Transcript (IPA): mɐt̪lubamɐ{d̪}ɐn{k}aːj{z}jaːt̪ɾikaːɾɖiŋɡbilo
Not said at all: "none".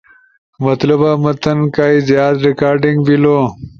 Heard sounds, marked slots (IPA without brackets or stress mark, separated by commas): t̪, k, z